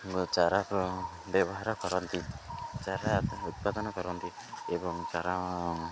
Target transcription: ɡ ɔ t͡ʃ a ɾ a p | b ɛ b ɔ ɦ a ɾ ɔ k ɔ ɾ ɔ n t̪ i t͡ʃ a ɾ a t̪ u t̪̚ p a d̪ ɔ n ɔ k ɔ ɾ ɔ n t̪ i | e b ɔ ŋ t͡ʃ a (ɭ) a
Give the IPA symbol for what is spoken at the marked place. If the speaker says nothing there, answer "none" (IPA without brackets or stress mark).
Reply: ɾ